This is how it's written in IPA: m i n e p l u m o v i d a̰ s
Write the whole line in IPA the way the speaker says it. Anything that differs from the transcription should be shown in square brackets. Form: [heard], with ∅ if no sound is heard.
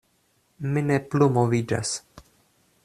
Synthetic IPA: m i n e p l u m o v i [d͡ʒ] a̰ s